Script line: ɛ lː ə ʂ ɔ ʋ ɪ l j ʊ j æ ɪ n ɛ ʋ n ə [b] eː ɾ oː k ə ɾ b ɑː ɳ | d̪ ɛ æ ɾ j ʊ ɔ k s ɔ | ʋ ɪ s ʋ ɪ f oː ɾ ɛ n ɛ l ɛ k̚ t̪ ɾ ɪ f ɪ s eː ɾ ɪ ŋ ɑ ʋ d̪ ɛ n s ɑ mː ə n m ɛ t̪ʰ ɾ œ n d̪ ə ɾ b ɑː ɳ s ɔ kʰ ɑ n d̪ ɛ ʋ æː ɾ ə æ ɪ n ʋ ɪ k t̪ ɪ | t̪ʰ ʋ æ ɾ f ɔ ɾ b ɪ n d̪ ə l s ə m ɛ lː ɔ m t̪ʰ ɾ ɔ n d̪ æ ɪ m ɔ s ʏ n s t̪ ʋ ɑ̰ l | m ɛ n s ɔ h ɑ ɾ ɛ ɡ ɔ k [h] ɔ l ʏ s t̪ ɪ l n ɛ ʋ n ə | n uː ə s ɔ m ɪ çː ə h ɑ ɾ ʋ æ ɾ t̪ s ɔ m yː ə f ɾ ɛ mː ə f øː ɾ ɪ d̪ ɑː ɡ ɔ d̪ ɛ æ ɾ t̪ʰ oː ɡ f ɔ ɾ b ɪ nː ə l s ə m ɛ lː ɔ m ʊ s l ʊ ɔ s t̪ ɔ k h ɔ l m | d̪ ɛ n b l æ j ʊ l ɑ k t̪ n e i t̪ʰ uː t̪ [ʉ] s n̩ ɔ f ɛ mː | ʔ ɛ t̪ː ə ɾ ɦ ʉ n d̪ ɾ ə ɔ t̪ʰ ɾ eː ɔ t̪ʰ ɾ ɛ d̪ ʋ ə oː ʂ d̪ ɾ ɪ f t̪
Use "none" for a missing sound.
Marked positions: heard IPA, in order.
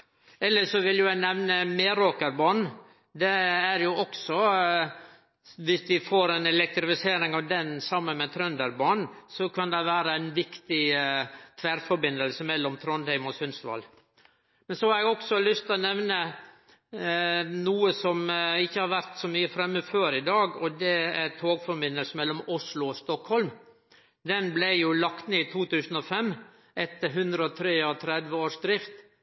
m, s, ʉː

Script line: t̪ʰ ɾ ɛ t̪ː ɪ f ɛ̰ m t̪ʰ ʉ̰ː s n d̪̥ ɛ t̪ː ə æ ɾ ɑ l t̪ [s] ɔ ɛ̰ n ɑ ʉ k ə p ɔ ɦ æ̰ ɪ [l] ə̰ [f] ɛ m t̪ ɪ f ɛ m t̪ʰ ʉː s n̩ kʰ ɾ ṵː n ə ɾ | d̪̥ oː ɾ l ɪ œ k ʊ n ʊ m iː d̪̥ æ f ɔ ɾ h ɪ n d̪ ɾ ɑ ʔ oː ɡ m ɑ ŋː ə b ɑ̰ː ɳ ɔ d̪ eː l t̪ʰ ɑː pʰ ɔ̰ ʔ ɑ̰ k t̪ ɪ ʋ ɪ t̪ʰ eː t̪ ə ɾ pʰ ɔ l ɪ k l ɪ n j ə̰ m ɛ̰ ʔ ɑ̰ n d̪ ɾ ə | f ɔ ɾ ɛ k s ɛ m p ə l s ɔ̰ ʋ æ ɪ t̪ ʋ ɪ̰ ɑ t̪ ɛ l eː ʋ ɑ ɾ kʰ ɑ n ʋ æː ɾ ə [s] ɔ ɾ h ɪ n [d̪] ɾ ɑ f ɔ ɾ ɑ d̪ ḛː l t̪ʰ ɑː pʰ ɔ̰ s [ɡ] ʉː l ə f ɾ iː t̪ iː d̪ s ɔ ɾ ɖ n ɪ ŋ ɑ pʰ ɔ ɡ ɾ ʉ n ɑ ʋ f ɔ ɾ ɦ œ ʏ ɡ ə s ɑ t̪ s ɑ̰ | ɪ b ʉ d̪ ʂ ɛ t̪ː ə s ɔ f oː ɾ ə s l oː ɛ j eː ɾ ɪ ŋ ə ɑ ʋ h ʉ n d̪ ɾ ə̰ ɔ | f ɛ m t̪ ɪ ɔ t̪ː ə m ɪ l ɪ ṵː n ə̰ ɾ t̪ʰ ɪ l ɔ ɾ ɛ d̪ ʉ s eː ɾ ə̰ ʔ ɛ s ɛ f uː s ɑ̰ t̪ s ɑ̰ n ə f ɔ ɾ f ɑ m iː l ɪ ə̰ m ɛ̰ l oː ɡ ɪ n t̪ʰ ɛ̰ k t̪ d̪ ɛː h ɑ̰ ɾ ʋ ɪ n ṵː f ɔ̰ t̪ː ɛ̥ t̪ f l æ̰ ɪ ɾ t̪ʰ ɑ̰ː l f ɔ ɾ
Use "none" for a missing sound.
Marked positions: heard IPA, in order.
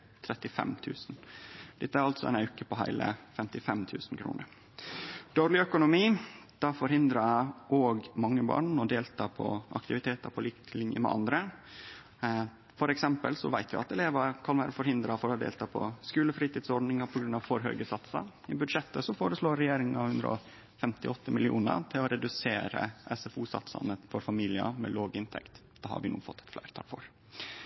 s, l, f, f, d̪, k

